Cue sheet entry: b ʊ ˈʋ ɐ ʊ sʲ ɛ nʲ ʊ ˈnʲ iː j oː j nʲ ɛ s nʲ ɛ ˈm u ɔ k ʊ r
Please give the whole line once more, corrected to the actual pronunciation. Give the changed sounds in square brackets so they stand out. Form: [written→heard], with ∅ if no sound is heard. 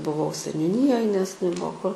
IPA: b ʊ ˈʋ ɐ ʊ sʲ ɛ nʲ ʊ ˈnʲ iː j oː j nʲ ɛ s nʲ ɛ [ˈm→ˈb] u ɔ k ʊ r